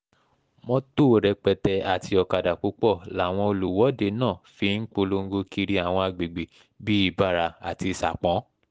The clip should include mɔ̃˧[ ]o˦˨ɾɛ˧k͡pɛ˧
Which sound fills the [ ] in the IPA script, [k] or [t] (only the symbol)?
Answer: t